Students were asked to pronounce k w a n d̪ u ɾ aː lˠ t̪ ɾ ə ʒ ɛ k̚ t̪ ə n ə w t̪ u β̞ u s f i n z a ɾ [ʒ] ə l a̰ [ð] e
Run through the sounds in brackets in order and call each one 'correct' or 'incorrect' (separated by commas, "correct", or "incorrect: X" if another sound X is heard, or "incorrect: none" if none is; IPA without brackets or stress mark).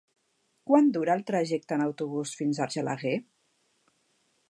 correct, incorrect: ɣ